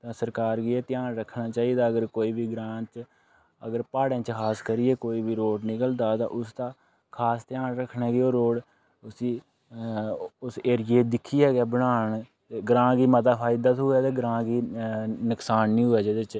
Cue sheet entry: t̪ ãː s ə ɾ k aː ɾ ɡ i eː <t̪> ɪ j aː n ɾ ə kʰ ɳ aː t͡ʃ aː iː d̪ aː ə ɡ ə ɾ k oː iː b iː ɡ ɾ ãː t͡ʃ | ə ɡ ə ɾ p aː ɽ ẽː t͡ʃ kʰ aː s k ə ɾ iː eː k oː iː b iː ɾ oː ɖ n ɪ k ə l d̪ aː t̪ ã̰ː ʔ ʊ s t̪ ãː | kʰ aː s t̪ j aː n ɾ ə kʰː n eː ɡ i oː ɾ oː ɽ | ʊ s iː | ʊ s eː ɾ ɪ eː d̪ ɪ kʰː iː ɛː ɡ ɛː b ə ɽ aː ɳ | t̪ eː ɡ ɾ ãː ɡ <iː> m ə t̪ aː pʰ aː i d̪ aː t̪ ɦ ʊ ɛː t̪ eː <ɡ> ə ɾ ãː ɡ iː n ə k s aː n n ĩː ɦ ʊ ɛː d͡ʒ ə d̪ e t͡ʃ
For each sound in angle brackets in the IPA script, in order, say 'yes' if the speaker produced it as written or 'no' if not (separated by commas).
yes, yes, yes